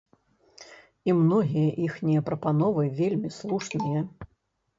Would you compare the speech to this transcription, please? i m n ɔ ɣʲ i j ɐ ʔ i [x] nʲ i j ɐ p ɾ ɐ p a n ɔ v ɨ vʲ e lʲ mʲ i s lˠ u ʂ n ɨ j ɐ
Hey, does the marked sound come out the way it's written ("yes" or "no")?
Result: yes